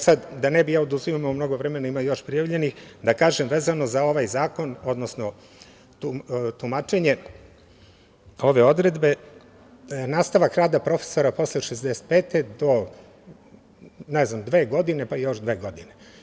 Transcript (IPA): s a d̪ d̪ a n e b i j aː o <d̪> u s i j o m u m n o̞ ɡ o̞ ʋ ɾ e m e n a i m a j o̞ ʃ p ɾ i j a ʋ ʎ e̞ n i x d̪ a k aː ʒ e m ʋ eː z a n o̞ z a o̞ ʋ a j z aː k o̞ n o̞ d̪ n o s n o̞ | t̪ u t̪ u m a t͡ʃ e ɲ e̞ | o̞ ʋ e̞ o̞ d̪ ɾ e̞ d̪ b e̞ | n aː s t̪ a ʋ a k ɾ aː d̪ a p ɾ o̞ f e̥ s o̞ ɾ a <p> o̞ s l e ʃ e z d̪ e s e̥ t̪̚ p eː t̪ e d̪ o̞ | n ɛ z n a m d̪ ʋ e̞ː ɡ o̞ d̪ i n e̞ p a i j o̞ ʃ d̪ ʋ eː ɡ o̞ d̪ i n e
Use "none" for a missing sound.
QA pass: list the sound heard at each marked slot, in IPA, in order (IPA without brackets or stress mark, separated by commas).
d̪, p